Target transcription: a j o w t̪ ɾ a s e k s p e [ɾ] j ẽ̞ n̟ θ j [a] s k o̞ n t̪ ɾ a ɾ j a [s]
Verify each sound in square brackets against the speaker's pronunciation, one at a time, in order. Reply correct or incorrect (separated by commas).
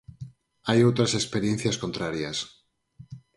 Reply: correct, correct, correct